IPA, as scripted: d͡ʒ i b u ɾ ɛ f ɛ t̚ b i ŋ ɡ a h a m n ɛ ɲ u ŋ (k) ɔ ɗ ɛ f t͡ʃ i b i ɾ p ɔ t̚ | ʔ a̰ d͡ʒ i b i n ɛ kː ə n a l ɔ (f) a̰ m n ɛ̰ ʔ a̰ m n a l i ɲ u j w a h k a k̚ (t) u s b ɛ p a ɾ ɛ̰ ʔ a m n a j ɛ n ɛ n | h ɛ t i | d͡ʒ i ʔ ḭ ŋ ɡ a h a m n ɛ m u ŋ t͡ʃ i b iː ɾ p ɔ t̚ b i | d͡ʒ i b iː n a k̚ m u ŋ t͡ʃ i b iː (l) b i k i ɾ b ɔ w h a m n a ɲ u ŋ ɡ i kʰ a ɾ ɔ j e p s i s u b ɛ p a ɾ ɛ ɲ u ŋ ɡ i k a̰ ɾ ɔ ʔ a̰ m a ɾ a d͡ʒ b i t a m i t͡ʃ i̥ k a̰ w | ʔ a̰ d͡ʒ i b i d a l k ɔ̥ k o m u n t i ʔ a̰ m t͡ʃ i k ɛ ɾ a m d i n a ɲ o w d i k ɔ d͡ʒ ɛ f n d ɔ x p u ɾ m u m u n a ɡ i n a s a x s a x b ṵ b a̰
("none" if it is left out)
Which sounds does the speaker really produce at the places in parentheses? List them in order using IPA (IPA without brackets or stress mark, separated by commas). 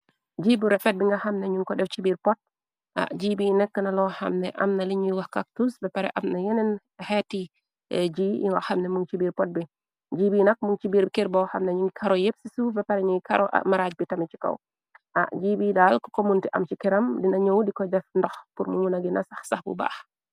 k, h, t, ɾ